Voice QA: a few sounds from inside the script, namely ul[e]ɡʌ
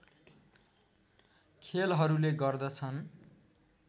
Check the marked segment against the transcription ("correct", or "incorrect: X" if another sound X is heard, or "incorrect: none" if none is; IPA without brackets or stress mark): correct